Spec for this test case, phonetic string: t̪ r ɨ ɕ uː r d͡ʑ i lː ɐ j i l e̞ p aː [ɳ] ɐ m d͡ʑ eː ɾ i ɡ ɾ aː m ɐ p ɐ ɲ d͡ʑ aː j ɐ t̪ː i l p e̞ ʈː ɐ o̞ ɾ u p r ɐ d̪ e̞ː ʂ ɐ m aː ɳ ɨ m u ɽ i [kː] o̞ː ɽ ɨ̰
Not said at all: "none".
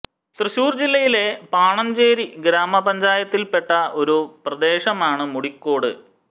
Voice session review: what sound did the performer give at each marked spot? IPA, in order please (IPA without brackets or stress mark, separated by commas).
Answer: ɳ, kː